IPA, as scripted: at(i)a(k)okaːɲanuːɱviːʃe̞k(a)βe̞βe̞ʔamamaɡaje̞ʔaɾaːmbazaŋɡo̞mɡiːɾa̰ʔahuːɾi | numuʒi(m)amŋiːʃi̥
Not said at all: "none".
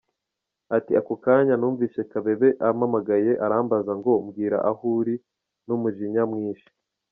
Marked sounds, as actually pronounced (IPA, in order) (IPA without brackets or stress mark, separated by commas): i, k, a, ɲ